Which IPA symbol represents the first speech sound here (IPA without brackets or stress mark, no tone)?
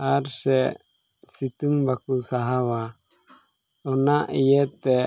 a